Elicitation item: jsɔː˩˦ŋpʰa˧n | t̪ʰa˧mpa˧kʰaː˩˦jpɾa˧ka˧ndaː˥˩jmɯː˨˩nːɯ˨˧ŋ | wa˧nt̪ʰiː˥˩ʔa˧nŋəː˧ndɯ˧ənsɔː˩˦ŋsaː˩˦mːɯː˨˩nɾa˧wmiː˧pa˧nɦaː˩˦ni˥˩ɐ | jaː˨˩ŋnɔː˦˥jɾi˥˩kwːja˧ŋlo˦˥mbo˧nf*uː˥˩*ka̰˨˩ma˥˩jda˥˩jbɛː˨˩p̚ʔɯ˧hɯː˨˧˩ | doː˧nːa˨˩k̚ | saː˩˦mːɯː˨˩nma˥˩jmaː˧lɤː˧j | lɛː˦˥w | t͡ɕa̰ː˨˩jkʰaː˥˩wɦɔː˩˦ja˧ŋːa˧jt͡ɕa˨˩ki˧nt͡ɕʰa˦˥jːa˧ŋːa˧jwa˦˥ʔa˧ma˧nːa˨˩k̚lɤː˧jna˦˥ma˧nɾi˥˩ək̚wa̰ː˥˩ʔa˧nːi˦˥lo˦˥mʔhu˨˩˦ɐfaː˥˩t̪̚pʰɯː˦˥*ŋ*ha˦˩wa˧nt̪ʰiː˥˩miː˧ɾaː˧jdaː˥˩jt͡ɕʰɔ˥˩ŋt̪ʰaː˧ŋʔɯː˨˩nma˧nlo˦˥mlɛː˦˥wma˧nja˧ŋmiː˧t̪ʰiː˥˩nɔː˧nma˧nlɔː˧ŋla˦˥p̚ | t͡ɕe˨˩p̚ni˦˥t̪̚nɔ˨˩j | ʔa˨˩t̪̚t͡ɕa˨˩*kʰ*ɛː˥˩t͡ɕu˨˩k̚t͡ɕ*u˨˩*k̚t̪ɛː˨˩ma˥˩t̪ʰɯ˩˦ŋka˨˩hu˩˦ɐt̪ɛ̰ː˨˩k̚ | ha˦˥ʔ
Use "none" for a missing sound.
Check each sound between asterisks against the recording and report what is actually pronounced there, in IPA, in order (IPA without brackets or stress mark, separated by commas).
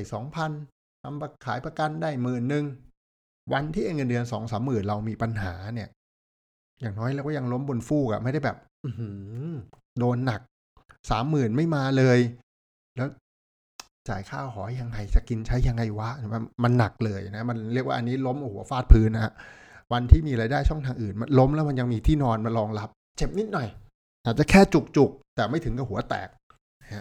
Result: uː˥˩, n, kʰ, u˨˩